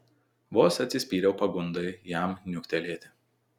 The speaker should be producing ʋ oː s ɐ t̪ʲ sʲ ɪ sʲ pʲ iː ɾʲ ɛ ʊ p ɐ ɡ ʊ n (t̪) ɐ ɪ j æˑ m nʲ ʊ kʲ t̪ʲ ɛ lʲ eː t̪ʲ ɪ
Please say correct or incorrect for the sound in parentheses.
incorrect